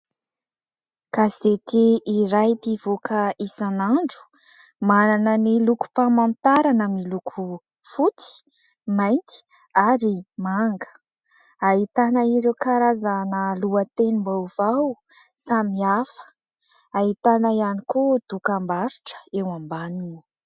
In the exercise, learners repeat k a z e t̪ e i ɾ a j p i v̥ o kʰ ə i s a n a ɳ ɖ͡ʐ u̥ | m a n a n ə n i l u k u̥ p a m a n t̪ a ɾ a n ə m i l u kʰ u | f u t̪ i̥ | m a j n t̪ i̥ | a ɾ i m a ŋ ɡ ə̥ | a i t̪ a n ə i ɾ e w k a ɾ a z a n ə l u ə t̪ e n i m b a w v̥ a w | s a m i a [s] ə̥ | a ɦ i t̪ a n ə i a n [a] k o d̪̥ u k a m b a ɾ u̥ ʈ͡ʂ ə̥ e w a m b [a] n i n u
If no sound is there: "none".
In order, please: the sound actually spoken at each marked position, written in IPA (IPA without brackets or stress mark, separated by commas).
f, i, a